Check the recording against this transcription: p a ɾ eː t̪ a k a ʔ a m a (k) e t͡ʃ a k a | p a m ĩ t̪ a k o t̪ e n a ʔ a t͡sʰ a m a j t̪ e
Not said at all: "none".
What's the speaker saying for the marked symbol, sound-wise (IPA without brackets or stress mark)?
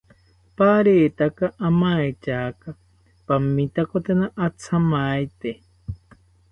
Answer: none